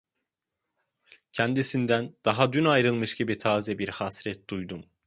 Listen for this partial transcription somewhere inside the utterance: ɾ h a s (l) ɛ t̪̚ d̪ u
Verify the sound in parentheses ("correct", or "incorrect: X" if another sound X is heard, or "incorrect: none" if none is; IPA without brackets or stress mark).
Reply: incorrect: ɾ